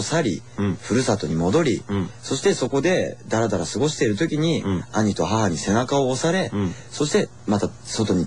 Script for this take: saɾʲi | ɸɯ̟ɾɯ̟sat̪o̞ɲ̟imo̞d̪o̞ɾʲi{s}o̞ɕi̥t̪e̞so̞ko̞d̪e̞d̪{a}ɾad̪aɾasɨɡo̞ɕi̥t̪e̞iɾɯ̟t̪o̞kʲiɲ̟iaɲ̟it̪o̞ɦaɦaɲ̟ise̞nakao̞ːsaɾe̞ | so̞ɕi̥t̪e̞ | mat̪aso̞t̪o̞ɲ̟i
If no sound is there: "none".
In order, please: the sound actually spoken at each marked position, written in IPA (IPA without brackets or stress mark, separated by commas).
s, a